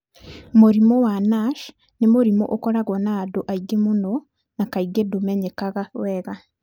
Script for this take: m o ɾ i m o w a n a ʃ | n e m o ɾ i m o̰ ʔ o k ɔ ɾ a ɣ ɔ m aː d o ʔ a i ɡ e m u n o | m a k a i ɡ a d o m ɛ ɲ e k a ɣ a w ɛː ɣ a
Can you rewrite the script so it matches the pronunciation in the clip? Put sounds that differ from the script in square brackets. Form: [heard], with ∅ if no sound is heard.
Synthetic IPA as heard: m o ɾ i m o w a n a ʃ | n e m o ɾ i m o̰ ʔ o k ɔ ɾ a ɣ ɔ [n] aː d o ʔ a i ɡ e m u n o | [n] a k a i ɡ [e] d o m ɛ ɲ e k a ɣ a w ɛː ɣ a